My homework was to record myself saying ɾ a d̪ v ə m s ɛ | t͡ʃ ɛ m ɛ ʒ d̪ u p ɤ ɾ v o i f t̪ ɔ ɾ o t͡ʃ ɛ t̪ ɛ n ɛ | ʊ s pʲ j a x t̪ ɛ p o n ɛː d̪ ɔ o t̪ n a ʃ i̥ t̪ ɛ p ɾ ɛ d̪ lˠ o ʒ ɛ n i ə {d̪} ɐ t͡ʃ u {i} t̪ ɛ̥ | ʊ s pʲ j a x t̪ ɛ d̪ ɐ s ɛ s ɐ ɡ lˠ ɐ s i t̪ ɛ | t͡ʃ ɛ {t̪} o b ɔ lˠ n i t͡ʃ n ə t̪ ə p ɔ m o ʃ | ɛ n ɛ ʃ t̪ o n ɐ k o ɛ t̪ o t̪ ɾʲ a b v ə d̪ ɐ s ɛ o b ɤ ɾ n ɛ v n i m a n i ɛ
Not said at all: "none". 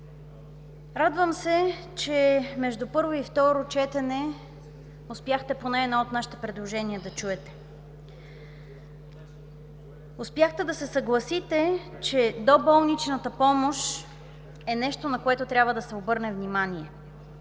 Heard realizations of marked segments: d̪, ɛ, d̪

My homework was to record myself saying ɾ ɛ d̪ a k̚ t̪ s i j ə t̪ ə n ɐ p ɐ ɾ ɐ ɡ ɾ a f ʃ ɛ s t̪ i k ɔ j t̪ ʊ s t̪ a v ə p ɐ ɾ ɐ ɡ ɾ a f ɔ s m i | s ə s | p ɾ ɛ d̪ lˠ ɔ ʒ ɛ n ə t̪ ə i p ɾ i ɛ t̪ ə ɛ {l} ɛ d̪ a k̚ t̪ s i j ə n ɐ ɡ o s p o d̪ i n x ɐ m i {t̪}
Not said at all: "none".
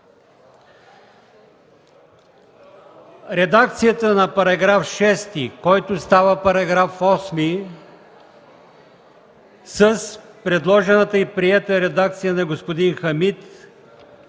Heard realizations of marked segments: ɾ, t̪

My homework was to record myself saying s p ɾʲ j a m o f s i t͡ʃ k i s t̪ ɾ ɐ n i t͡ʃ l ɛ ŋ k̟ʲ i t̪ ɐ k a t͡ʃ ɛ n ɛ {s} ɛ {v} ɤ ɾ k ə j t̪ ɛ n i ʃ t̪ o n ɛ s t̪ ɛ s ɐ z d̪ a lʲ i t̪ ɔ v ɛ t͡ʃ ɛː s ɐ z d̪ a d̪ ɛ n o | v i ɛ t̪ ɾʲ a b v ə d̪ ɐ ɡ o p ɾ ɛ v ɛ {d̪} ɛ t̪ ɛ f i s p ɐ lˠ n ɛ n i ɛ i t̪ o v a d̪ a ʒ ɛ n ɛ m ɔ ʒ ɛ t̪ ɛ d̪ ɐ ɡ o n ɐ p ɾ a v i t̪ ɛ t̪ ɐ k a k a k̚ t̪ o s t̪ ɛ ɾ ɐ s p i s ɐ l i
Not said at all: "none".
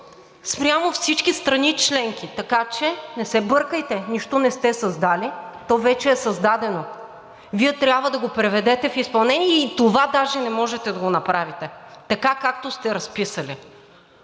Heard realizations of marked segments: s, b, d̪

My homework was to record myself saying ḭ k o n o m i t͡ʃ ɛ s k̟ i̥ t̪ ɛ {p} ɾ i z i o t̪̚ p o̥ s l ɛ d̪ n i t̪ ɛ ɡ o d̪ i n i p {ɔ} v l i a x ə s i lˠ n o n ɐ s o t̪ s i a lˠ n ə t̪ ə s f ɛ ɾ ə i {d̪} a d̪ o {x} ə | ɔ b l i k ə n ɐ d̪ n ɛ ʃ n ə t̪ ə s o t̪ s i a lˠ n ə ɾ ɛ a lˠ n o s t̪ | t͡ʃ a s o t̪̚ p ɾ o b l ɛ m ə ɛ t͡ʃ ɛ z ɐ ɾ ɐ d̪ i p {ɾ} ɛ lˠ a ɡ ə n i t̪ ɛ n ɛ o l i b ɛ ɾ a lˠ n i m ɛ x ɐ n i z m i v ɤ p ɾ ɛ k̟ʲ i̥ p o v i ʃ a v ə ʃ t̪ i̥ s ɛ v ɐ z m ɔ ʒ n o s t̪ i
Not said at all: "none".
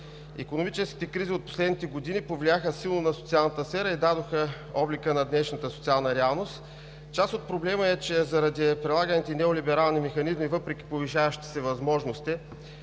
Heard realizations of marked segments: k, o, d̪, x, ɾ

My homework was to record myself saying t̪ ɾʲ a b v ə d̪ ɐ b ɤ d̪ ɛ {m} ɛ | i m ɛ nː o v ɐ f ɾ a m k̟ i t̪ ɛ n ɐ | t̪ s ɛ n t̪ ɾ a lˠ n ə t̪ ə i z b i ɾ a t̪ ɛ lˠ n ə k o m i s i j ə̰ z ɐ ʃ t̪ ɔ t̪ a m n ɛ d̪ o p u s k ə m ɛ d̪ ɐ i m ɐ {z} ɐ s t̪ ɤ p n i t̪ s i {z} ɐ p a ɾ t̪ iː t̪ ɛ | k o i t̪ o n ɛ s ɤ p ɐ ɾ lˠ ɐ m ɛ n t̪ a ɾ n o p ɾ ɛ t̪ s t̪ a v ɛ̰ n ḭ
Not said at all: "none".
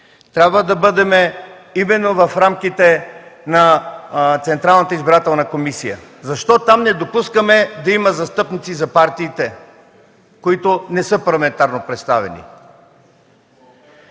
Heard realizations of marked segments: m, z, z

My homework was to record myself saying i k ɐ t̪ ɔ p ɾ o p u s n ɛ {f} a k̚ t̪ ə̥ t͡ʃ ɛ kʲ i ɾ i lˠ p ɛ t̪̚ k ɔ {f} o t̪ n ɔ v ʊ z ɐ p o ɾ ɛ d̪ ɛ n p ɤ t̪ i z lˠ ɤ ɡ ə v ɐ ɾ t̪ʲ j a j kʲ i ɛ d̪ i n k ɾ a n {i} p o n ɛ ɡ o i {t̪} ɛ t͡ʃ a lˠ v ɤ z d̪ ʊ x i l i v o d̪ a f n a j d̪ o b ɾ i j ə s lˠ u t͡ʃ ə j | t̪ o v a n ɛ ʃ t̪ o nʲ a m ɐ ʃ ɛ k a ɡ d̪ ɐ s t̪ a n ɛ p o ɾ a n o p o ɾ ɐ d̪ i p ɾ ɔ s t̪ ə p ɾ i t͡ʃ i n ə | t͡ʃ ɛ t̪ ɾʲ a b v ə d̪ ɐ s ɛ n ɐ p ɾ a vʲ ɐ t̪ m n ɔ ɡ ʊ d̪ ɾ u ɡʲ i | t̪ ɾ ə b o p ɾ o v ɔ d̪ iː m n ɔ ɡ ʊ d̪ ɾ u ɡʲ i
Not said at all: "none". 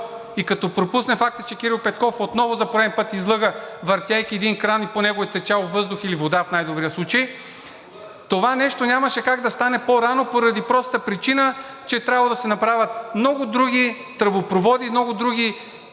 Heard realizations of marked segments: f, f, i, t̪

